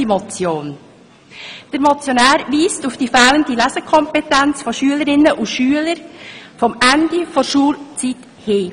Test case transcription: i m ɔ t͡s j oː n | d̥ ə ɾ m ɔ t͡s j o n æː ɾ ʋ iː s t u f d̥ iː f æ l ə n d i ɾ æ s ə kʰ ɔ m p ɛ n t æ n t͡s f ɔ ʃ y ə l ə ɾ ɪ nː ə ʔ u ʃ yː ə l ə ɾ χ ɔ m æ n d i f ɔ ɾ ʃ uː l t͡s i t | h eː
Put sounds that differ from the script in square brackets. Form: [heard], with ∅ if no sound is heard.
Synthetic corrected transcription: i m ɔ t͡s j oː n | d̥ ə ɾ m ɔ t͡s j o n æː ɾ ʋ iː s t u f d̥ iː f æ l ə n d i [l] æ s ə kʰ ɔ m p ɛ [∅] t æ n t͡s f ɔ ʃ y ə l ə ɾ ɪ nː ə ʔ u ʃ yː ə l ə ɾ [f] ɔ m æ n d i f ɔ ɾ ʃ uː l t͡s i t | h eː

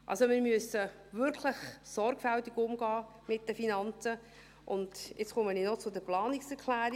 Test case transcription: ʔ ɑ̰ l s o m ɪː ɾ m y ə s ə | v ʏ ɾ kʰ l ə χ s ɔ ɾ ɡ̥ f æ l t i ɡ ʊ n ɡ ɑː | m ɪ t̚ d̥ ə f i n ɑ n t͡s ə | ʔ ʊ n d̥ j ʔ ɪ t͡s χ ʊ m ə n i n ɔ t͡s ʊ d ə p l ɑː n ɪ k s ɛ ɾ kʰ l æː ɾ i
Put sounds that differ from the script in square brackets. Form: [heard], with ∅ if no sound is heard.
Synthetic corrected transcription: ʔ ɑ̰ l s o m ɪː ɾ m y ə s ə | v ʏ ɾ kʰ l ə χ s ɔ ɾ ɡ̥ f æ l t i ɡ ʊ [m] ɡ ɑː | m ɪ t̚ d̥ ə f i n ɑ n t͡s ə | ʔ ʊ n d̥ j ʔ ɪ t͡s χ ʊ m ə n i n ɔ t͡s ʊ d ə p l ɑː n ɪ k s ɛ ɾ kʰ l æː ɾ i

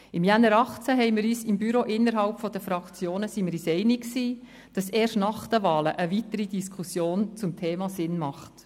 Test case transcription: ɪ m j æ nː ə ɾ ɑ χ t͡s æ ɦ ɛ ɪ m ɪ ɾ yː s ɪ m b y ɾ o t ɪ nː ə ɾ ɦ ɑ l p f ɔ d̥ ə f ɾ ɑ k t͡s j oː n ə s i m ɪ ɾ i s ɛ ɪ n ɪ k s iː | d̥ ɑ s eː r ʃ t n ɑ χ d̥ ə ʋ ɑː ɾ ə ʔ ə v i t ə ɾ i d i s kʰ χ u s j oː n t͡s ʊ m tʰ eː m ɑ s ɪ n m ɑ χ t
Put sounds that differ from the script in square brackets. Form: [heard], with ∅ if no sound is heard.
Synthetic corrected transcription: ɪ m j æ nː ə ɾ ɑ χ t͡s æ ɦ ɛ ɪ m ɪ ɾ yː s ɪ m b y ɾ o [ʔ] ɪ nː ə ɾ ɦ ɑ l p f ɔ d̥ ə f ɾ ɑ k t͡s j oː n ə s i m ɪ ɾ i s ɛ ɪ n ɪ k s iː | d̥ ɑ s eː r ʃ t n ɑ χ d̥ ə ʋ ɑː [l] ə ʔ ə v i t ə ɾ i d i s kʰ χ u s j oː n t͡s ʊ m tʰ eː m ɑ s ɪ n m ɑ χ t

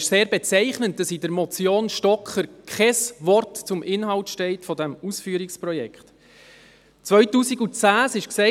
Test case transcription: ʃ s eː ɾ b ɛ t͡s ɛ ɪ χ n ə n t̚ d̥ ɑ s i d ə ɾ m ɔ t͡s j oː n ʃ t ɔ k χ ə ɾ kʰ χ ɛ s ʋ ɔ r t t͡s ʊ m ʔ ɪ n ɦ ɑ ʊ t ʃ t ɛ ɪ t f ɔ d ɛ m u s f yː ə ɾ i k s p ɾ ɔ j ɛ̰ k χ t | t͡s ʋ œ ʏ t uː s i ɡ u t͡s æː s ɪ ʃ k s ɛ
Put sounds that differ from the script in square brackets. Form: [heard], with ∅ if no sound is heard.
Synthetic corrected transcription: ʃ s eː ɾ b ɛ t͡s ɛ ɪ χ n ə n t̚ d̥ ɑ s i d ə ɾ m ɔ t͡s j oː n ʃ t ɔ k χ ə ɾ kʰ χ ɛ s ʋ ɔ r t t͡s ʊ m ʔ ɪ n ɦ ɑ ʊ t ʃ t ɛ ɪ t f ɔ d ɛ m u s f yː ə ɾ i k s p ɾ ɔ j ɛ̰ k χ t | t͡s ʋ œ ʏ t uː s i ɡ u t͡s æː s ɪ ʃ k s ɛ

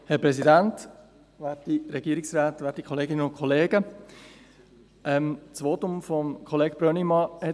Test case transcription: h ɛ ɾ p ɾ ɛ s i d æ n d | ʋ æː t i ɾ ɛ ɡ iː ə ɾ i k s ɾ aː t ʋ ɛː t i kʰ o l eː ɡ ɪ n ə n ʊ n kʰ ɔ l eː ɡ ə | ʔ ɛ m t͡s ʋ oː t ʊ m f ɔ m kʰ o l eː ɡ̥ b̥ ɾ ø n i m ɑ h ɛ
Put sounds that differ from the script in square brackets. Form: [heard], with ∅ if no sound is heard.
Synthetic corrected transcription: h ɛ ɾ p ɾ ɛ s i d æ n [t] | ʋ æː t i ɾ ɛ ɡ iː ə ɾ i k s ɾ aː t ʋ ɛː t i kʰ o l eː ɡ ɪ n ə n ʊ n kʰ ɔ l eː ɡ ə | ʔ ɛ m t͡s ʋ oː t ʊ m f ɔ m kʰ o l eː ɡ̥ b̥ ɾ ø n i m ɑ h ɛ

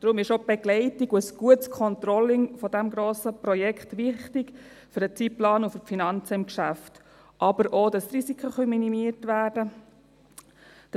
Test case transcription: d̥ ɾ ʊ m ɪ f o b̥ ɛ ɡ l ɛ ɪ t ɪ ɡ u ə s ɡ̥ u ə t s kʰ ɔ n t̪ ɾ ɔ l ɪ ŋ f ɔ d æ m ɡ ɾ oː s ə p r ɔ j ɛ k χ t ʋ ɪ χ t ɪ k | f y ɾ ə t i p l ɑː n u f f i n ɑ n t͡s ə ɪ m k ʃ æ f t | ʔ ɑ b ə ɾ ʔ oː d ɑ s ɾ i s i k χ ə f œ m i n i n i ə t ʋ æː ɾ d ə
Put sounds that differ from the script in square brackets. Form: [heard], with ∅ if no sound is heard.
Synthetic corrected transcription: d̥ ɾ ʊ m ɪ [ʃ] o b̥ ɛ ɡ l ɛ ɪ t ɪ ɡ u ə s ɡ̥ u ə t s kʰ ɔ n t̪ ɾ ɔ l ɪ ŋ f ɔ d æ m ɡ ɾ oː s ə p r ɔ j ɛ k χ t ʋ ɪ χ t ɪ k | f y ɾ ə [t͡s] i p l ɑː n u f f i n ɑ n t͡s ə ɪ m k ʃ æ f t | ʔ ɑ b ə ɾ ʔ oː d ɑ s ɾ i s i k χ ə [χ] œ m i n i [m] i ə t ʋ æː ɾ d ə

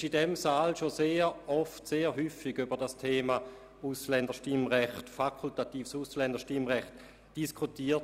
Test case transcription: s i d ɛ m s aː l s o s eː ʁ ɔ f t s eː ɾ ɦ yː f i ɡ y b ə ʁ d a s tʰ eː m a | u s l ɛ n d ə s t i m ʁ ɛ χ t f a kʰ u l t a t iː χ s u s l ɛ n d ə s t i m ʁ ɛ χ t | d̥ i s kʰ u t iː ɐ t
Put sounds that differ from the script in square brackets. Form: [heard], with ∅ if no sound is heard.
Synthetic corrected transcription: [ʃ] i d ɛ m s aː l [ʃ] o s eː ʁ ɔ f t s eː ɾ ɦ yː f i ɡ y b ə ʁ d a s tʰ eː m a | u s l ɛ n d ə [ʃ] t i m ʁ ɛ χ t f a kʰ u l t a t iː [f] s u s l ɛ n d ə [ʃ] t i m ʁ ɛ χ t | d̥ i s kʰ u t iː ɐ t

